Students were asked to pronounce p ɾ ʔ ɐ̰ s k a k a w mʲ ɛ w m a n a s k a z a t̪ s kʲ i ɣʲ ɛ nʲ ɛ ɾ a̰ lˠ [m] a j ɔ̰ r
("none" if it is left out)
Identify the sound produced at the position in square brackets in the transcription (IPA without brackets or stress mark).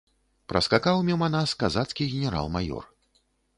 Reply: m